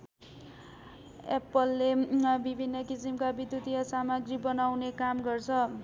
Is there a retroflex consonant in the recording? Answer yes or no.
no